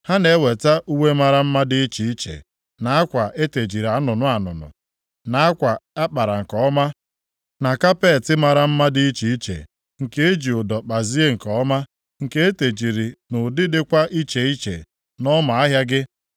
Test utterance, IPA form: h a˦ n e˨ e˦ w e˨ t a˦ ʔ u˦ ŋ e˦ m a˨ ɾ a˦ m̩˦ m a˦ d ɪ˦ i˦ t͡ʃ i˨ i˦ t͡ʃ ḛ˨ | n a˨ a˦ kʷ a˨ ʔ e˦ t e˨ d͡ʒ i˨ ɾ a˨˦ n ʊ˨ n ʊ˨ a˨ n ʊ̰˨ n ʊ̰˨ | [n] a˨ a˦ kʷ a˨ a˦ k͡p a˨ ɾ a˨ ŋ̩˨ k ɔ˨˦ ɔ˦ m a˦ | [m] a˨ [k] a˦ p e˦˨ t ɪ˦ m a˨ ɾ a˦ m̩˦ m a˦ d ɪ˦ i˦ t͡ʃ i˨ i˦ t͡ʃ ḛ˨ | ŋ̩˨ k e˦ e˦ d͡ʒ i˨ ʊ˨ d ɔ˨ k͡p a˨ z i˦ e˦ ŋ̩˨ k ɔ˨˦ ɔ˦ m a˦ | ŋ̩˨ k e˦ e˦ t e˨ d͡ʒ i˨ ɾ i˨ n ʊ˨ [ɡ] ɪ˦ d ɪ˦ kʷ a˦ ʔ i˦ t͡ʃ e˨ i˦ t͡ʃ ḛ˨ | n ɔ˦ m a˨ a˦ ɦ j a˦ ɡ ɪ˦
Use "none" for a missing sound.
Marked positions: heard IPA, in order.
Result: n, n, k, d

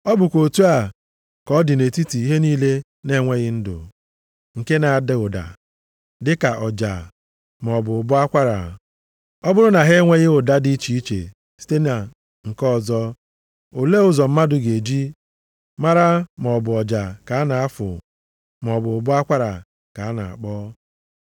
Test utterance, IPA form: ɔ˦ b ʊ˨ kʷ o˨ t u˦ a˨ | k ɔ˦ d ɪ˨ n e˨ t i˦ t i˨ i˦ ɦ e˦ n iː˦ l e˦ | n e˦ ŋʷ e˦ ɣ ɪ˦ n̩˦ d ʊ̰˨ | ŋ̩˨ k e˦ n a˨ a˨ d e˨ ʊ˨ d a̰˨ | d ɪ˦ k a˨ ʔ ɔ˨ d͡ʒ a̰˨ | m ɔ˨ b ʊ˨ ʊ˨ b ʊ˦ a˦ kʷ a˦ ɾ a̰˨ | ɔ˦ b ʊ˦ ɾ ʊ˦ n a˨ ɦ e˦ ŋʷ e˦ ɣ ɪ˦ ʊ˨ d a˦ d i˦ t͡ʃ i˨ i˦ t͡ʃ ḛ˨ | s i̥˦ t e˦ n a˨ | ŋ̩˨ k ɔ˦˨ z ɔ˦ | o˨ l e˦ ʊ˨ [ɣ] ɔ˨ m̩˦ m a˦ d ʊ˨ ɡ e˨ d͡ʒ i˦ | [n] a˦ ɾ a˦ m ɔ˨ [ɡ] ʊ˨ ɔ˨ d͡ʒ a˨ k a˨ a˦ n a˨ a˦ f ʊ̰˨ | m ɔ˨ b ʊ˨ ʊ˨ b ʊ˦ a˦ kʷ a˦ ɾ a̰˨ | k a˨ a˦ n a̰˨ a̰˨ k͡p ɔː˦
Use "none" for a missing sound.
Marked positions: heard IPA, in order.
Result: z, m, b

